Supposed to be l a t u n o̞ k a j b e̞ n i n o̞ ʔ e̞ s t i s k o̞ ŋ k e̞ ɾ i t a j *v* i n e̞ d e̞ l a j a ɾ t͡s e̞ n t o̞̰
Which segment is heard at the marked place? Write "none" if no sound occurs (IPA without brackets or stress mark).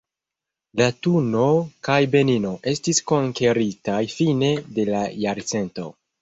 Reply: f